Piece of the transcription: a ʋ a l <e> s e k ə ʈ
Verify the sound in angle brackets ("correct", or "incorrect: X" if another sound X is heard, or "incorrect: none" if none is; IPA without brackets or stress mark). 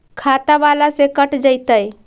incorrect: a